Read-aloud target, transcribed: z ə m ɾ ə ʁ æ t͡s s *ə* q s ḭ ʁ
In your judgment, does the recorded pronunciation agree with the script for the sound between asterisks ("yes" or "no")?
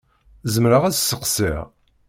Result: yes